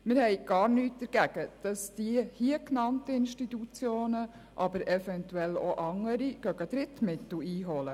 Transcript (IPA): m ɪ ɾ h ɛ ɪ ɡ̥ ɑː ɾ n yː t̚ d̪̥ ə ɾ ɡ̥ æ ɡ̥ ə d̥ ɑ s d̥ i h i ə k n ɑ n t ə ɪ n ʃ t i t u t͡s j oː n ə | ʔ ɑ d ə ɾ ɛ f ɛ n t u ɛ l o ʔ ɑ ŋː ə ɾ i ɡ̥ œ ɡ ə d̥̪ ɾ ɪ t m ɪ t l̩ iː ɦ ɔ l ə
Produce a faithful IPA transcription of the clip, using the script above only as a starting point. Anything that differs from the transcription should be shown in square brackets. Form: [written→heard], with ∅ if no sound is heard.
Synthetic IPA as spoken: m ɪ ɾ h ɛ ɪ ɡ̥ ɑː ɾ n yː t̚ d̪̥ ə ɾ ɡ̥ æ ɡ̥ ə d̥ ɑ s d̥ i h i ə k n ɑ n t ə ɪ n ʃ t i t u t͡s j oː n ə | ʔ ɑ [d→b] ə ɾ ɛ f ɛ n t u ɛ l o ʔ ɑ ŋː ə ɾ i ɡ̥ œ ɡ ə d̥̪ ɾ ɪ t m ɪ t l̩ iː ɦ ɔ l ə